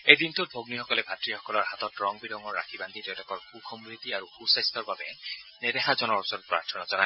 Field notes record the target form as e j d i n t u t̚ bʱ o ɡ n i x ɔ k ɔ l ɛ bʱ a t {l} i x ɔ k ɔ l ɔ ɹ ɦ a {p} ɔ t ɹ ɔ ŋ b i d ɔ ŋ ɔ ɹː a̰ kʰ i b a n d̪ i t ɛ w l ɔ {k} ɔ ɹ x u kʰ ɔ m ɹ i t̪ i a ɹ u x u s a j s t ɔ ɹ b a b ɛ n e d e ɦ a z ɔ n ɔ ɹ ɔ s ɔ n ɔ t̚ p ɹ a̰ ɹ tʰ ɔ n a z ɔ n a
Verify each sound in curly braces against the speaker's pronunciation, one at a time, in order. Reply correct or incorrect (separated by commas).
incorrect, incorrect, correct